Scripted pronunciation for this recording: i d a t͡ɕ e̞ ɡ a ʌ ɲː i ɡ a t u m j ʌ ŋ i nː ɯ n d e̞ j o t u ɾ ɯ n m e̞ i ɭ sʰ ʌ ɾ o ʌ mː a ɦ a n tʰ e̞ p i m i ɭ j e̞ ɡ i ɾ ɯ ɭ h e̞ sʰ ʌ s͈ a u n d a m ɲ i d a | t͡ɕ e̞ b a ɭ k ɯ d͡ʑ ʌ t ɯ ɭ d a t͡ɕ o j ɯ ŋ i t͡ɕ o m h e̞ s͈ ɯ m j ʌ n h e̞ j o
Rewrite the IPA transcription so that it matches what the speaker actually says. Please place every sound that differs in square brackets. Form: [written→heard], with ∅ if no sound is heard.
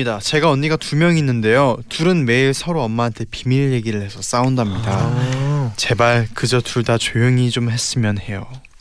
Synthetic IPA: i d a t͡ɕ e̞ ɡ a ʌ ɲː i ɡ a t u m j ʌ ŋ i nː ɯ n d e̞ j o t u ɾ ɯ n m e̞ i ɭ sʰ ʌ ɾ o ʌ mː a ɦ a n tʰ e̞ p i m i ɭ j e̞ ɡ i ɾ ɯ ɭ h e̞ sʰ ʌ s͈ a u n d a m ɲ i d a | t͡ɕ e̞ b a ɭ k ɯ d͡ʑ ʌ t [ɯ→u] ɭ d a t͡ɕ o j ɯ ŋ i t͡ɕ o m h e̞ s͈ ɯ m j ʌ n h e̞ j o